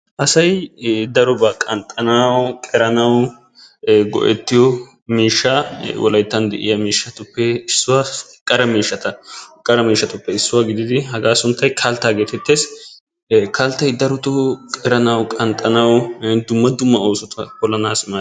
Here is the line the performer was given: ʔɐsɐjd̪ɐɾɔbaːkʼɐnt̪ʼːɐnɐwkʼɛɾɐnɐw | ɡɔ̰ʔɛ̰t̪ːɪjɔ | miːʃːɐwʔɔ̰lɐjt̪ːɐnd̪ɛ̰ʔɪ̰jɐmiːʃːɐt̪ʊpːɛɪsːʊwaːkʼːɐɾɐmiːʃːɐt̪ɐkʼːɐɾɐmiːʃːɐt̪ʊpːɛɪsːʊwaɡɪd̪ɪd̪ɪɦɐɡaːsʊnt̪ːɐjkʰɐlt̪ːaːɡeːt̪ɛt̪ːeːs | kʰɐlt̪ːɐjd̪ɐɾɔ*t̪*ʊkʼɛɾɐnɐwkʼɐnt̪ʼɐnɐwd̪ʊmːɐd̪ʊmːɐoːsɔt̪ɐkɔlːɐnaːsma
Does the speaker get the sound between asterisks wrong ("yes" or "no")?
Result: no